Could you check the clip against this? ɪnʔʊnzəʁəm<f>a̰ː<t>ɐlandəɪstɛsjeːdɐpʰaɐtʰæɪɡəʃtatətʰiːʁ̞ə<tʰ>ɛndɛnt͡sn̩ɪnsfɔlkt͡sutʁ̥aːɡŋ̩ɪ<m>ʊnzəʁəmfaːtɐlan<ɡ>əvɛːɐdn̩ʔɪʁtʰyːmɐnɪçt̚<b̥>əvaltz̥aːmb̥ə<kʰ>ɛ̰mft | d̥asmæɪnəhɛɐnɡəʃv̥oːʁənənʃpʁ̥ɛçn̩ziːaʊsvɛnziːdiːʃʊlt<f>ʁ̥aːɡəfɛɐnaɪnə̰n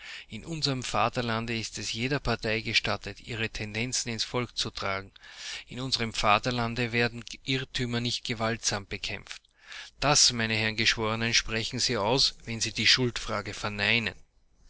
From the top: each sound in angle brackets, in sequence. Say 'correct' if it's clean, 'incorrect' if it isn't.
correct, correct, correct, incorrect, incorrect, incorrect, correct, correct

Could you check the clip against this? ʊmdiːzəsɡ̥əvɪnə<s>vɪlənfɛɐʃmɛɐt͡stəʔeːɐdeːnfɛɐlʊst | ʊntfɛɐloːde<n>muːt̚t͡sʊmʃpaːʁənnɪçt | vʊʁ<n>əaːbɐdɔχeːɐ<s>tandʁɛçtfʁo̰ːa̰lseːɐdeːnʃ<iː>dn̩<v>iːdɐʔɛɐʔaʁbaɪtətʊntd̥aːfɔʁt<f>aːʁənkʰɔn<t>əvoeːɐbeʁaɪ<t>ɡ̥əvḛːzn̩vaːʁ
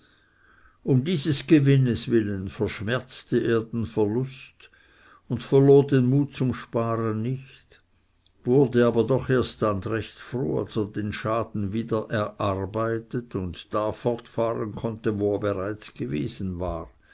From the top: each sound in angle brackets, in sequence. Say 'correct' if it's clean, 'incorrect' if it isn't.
correct, correct, incorrect, correct, incorrect, correct, correct, correct, incorrect

